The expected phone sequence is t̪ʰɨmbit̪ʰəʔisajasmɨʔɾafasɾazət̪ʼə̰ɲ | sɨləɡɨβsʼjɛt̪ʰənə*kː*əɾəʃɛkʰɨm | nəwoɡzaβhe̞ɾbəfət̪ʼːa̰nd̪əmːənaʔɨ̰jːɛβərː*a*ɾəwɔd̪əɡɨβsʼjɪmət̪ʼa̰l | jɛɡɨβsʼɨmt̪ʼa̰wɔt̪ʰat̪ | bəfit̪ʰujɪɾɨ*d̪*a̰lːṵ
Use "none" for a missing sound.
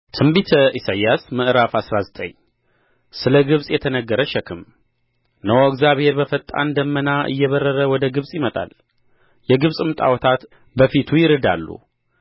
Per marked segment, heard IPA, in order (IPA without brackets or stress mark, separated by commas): ɡː, ə, d̪